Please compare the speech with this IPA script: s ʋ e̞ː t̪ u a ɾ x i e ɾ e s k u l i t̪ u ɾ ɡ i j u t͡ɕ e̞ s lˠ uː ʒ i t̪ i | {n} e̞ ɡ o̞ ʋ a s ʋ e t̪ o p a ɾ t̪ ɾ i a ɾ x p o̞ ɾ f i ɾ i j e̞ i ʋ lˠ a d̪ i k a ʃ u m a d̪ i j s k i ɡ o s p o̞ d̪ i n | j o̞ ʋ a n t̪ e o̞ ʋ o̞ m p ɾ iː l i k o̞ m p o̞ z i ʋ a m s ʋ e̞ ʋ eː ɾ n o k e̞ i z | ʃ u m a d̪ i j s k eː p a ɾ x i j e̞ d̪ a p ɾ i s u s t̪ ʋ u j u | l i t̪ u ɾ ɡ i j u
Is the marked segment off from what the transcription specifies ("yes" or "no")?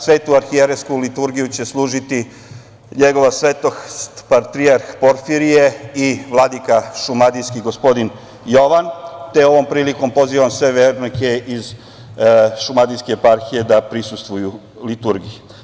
yes